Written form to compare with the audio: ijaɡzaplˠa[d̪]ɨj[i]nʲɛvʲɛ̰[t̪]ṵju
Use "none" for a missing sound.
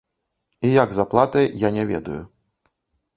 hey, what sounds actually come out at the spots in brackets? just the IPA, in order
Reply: t̪, a, d̪

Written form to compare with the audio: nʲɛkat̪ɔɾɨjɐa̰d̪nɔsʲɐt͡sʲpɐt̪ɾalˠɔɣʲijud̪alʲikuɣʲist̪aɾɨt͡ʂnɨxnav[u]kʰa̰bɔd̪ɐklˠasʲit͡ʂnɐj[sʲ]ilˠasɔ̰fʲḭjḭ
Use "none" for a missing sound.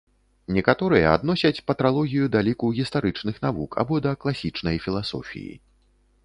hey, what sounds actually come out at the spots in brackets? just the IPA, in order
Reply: u, fʲ

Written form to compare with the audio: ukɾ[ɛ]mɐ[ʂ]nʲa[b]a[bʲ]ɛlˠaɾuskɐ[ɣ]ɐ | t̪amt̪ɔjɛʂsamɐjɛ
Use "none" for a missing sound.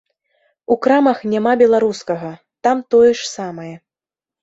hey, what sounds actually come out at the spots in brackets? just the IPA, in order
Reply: a, x, m, bʲ, ɣ

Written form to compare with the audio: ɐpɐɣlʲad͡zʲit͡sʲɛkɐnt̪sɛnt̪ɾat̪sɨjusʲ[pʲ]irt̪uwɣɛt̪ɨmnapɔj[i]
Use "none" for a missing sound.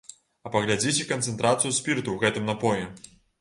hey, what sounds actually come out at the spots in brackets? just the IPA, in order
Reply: pʲ, ɛ

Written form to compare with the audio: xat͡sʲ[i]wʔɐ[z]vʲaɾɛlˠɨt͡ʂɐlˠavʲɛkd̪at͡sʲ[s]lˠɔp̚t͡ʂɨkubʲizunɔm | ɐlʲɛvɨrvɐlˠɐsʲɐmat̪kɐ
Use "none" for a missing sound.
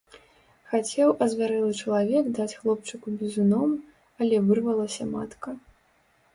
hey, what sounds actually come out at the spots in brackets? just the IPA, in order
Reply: ɛ, z, x

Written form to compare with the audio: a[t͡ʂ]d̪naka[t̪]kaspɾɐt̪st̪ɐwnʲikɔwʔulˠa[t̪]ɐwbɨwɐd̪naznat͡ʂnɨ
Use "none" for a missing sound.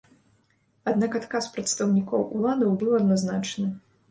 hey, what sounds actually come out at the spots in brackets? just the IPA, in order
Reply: none, t̪, d̪

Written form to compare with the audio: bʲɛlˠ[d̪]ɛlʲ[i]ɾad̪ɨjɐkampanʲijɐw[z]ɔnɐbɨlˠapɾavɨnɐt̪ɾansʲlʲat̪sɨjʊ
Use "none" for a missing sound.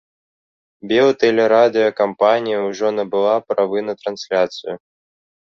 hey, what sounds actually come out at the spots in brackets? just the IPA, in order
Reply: t̪, ɛ, ʐ

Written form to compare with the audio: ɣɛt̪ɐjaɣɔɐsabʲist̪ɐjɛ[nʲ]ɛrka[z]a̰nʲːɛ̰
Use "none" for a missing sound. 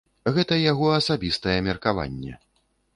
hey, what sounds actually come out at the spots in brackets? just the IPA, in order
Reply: mʲ, v

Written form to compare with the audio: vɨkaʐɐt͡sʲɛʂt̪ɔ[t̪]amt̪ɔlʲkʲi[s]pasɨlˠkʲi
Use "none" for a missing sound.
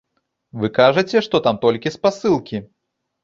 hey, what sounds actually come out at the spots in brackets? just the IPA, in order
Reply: t̪, s

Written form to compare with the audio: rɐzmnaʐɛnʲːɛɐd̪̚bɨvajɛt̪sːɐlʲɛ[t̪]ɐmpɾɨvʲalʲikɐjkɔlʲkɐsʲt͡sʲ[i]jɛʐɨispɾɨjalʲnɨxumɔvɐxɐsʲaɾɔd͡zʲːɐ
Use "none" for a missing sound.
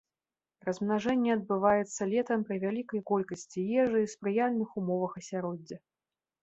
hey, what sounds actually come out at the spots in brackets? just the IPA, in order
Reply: t̪, i

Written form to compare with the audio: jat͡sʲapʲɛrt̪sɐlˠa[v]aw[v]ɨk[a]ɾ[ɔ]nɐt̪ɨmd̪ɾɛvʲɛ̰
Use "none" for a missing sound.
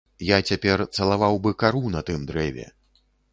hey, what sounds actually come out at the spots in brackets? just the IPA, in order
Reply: v, b, a, u

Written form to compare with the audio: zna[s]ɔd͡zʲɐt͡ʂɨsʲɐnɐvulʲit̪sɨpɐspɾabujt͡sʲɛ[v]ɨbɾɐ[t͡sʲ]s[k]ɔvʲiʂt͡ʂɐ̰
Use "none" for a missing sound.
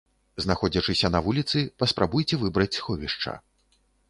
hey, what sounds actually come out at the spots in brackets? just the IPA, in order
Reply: x, v, t͡sʲ, x

